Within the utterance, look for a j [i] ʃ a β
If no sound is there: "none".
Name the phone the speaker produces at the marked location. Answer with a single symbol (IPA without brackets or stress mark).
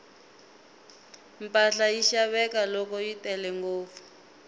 i